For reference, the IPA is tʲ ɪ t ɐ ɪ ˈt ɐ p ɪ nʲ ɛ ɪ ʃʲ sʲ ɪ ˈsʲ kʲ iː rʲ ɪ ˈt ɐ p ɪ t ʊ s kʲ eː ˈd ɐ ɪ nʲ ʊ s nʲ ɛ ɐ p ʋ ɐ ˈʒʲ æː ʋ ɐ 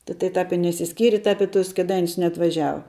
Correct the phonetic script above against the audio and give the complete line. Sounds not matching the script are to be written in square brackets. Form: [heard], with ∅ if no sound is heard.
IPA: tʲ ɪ t ɐ ɪ ˈt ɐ p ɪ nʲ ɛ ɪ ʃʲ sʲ ɪ ˈsʲ kʲ iː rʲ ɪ ˈt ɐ p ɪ t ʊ s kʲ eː ˈd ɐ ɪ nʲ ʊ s nʲ ɛ ɐ [t] ʋ ɐ ˈʒʲ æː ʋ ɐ